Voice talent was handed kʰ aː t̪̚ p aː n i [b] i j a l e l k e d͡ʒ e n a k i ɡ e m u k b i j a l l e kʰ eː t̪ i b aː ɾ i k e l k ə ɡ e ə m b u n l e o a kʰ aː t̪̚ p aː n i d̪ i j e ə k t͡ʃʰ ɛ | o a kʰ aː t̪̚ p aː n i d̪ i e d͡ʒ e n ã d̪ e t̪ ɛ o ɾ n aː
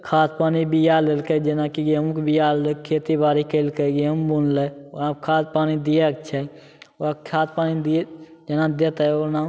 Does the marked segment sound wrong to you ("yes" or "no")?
no